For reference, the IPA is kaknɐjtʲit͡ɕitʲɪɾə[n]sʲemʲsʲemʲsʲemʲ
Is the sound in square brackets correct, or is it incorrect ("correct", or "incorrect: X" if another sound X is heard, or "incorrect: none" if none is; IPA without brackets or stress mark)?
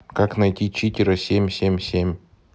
incorrect: none